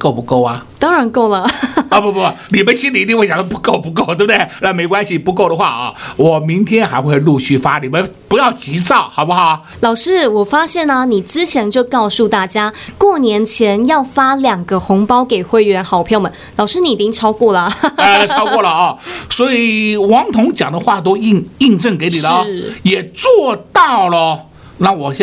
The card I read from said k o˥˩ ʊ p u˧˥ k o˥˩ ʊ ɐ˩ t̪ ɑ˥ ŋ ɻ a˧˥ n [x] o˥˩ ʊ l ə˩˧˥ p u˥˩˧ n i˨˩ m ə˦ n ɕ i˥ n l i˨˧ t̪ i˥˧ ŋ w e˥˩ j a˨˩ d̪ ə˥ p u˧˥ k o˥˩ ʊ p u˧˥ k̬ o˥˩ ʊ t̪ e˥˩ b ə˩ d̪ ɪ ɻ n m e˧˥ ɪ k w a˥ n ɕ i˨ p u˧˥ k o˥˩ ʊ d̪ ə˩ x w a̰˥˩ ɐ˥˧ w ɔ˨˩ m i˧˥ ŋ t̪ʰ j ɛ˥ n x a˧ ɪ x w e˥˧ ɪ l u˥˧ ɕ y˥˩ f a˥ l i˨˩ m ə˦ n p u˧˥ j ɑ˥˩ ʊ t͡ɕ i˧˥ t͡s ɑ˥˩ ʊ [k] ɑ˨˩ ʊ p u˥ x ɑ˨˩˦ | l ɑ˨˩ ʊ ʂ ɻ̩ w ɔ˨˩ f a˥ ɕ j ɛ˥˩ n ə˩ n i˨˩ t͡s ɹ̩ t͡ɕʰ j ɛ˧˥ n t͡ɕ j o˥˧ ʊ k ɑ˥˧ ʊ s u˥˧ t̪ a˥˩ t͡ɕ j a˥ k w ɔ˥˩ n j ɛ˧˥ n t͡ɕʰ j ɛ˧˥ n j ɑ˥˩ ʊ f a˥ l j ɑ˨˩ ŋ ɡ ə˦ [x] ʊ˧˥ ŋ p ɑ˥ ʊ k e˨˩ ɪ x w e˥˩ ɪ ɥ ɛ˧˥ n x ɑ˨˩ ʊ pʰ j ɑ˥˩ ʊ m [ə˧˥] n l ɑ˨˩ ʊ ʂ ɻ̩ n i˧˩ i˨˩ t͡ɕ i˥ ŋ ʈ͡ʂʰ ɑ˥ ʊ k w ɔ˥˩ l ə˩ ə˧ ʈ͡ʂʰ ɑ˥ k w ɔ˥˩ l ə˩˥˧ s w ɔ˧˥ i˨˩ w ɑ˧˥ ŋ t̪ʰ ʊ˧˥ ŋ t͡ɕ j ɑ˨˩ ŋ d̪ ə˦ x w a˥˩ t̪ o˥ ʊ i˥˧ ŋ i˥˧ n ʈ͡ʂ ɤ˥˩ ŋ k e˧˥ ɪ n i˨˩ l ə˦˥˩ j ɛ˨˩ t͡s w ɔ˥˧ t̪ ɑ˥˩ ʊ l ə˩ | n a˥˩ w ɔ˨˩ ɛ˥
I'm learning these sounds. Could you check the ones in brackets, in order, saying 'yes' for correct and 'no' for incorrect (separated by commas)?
no, no, yes, no